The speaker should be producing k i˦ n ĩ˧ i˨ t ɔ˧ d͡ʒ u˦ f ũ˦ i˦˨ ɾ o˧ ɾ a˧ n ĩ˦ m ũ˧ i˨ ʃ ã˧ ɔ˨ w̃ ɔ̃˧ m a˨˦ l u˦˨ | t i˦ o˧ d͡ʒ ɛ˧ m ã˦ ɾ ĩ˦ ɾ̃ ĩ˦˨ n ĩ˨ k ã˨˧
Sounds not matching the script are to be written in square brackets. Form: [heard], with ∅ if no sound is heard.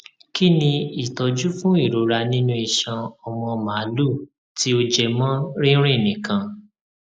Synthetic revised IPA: k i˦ n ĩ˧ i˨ t ɔ˧ d͡ʒ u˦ f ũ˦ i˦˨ ɾ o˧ ɾ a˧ n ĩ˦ [n] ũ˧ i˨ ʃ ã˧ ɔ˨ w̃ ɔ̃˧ m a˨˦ l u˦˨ | t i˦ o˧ d͡ʒ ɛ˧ m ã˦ ɾ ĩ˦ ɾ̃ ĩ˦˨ n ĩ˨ k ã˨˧